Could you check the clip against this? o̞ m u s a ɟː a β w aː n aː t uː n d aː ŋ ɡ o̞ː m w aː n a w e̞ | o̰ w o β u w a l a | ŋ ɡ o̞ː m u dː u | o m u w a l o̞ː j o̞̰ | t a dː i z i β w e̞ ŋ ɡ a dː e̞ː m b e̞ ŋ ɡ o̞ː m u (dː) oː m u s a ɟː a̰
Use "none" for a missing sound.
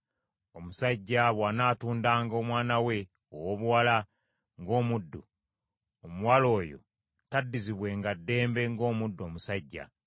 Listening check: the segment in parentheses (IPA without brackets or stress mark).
dː